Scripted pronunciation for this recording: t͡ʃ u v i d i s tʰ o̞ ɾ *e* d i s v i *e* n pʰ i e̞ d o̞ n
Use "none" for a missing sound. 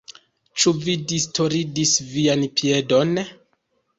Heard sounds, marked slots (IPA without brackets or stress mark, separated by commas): i, a